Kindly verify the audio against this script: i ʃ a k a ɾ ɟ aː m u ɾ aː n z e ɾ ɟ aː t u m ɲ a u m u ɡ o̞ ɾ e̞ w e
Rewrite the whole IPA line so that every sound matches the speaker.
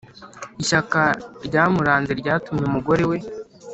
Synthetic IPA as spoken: i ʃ a k a ɾ ɟ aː m u ɾ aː n z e ɾ ɟ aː t u m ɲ e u m u ɡ o̞ ɾ e̞ w e